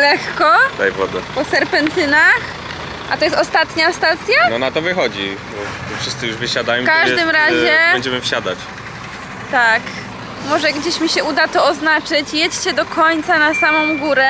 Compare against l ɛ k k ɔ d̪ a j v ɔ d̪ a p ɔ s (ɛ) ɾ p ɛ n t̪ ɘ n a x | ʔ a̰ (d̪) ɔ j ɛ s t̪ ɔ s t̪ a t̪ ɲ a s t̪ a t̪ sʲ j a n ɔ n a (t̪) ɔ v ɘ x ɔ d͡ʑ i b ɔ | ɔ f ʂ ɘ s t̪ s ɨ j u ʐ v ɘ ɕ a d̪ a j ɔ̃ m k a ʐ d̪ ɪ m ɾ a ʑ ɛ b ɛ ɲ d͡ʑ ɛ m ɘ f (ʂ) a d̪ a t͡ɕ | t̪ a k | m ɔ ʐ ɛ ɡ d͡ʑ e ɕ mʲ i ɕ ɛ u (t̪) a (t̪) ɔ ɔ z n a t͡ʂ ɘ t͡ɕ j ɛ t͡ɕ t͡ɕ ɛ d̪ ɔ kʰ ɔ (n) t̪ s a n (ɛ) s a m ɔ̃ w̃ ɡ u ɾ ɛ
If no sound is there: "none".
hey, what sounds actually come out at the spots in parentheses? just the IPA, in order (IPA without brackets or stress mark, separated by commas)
ɛ, t̪, t̪, ɕ, d̪, t̪, ɲ, a